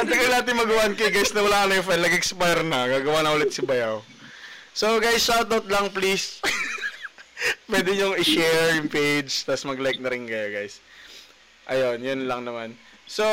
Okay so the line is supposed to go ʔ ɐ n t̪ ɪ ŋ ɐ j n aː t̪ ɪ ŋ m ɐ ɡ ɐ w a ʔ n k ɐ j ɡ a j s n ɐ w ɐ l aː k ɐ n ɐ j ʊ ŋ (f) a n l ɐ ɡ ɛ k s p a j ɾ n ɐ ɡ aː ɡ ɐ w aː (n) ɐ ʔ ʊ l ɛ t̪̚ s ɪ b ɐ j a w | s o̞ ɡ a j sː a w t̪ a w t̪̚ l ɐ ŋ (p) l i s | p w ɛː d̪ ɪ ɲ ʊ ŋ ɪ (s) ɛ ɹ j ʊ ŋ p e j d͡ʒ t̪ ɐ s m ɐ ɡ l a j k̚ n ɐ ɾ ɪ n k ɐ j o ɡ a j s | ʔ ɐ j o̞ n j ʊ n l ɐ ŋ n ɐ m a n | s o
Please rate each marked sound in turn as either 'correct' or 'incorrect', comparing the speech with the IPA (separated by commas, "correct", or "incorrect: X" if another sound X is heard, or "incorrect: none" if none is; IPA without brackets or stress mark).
correct, correct, correct, incorrect: ʃ